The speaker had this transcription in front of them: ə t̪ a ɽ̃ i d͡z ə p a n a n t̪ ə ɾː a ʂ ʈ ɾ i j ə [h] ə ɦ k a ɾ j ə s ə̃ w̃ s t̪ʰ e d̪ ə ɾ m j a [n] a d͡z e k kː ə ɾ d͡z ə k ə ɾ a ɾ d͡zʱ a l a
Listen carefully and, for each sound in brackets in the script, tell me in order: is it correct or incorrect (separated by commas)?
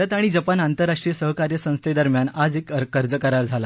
incorrect, correct